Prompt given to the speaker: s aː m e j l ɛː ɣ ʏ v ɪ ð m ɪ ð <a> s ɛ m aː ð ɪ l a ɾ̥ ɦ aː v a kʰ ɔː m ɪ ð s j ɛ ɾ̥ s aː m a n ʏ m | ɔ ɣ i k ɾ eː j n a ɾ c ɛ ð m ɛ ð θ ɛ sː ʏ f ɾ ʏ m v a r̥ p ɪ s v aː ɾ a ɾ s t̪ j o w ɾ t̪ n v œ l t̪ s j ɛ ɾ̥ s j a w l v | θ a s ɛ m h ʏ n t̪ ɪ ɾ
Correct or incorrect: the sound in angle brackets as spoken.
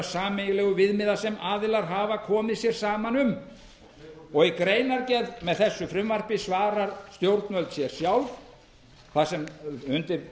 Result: correct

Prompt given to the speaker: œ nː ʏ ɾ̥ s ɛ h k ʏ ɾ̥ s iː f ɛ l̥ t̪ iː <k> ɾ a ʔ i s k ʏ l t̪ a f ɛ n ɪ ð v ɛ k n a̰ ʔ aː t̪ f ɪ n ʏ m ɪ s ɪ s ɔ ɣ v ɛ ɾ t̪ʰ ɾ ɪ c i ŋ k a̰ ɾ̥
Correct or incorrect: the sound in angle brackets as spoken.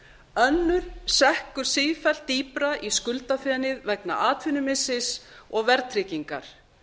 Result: incorrect: p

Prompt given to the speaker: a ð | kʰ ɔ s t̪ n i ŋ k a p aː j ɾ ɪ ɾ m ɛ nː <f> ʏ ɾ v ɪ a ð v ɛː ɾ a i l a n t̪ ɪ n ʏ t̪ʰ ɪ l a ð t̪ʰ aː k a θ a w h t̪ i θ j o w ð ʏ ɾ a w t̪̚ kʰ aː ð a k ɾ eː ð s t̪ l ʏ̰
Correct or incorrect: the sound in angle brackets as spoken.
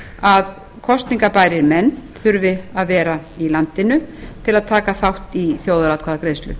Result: incorrect: θ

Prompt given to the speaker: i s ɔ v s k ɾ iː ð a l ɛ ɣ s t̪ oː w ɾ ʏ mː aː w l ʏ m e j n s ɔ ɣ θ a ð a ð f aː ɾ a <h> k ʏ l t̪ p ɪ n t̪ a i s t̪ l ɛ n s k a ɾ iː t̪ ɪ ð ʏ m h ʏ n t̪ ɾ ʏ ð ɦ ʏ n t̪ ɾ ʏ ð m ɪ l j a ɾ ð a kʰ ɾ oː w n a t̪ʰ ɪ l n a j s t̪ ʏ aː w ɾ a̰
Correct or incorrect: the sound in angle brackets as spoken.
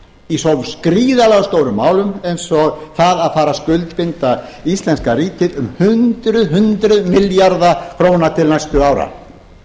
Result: incorrect: s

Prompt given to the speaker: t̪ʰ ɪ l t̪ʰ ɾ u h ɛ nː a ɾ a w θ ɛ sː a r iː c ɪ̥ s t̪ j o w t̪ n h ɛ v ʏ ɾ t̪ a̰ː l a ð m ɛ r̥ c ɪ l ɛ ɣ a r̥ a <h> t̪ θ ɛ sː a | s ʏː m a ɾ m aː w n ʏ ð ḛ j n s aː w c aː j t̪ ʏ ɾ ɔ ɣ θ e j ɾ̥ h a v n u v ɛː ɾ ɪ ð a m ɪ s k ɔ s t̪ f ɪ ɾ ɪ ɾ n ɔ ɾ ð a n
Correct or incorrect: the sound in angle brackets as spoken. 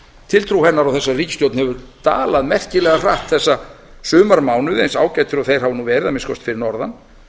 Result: correct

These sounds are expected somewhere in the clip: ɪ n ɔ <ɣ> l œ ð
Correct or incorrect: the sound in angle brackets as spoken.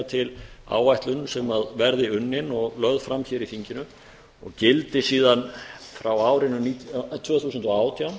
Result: correct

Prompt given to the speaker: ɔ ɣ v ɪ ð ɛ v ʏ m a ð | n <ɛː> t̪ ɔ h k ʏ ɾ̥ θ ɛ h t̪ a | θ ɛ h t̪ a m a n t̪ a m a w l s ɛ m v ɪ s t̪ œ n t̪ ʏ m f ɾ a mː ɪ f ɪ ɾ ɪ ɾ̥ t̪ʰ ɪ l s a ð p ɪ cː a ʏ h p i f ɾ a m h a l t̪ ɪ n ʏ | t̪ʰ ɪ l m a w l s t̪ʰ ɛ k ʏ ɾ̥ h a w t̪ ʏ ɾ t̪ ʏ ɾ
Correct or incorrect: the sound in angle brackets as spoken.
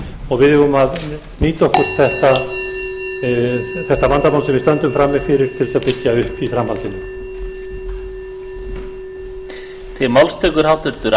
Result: incorrect: iː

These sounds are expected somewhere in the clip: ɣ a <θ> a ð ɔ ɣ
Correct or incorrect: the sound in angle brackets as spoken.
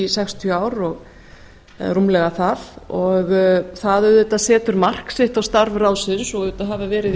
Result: correct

